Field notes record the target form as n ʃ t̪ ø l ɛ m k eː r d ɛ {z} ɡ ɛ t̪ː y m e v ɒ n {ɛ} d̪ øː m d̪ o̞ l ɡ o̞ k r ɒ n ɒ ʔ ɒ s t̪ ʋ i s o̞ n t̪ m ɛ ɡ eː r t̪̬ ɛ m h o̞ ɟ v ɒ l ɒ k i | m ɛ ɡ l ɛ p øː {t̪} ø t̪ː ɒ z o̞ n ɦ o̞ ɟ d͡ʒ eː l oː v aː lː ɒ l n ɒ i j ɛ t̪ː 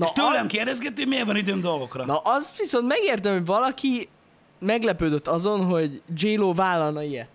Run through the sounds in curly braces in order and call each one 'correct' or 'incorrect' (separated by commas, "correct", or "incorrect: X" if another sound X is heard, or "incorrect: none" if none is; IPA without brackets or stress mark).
correct, incorrect: i, incorrect: d̪